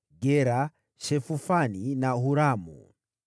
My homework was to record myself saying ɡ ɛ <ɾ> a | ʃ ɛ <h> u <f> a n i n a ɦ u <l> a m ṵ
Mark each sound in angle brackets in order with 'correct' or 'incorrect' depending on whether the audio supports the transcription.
correct, incorrect, correct, incorrect

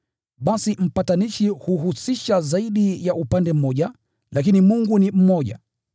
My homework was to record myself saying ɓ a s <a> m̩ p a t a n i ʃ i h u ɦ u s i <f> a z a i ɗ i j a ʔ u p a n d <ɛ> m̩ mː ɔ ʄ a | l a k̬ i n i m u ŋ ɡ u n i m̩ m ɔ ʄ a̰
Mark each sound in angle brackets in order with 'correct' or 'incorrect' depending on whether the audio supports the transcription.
incorrect, incorrect, correct

